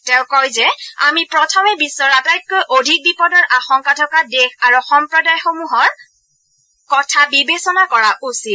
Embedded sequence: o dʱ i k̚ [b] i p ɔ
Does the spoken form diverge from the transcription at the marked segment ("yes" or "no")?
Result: no